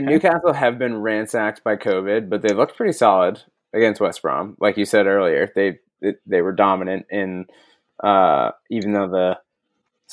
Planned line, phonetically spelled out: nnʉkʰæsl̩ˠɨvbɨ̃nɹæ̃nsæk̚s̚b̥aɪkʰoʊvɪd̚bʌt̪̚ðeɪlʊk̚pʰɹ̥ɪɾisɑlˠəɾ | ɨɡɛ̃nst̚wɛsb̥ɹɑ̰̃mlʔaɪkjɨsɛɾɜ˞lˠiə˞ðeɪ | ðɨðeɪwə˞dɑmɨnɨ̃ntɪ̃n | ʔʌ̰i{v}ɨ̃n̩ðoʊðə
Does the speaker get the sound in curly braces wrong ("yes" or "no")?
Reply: no